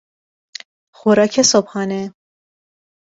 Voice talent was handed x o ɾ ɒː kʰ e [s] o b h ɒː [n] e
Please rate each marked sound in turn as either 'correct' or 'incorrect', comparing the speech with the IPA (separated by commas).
correct, correct